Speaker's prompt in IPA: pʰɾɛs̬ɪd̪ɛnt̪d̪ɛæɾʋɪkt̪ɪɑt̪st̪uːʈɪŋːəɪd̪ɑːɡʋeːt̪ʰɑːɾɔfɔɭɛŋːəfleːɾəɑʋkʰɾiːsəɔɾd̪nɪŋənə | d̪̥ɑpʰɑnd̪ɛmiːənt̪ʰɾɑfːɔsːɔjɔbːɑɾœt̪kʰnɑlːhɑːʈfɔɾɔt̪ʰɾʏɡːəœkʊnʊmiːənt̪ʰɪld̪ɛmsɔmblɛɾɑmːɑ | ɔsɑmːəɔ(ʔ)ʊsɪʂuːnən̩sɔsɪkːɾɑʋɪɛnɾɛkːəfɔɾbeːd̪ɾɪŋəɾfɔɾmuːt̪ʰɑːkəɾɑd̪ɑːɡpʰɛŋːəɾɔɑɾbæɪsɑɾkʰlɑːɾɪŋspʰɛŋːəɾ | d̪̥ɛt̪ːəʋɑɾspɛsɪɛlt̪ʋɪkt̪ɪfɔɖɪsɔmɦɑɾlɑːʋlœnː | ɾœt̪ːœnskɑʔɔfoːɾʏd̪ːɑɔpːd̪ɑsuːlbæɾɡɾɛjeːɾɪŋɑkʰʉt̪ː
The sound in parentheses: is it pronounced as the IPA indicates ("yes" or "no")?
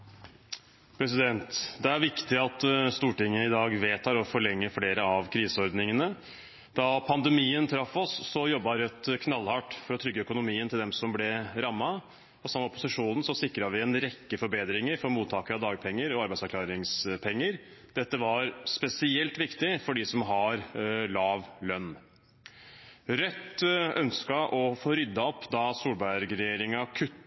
no